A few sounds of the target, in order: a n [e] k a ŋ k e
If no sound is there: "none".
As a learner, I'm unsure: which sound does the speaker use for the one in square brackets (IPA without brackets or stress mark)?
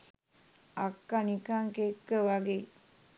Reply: i